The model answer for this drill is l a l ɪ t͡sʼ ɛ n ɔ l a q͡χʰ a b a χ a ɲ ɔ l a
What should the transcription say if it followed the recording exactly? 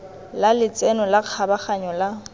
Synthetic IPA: l a l ɪ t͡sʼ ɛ n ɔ l a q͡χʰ a b a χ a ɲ ɔ l a